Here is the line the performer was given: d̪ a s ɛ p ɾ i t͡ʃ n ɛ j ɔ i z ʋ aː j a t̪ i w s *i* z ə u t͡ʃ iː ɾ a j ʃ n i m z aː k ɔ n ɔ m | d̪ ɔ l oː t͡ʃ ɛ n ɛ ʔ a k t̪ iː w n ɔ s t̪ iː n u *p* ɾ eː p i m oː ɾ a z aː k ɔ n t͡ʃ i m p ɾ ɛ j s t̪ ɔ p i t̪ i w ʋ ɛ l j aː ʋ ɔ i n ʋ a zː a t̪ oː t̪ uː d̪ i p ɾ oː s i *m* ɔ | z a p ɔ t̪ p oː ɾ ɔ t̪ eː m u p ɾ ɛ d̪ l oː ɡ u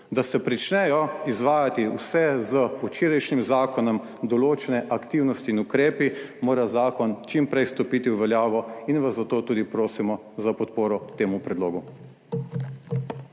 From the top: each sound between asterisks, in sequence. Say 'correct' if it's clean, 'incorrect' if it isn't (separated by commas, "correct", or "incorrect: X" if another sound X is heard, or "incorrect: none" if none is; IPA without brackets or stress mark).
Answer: incorrect: ɛ, incorrect: k, correct